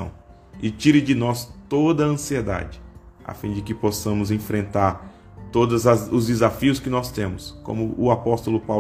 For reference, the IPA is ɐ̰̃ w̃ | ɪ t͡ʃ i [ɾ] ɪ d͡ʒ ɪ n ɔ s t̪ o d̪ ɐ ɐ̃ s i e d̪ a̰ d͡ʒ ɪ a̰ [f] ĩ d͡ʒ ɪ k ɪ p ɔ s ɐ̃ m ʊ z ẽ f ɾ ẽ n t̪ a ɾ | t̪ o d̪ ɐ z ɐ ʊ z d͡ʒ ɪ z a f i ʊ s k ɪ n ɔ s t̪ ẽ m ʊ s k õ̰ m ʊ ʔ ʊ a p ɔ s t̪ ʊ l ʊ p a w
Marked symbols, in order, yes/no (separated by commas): yes, yes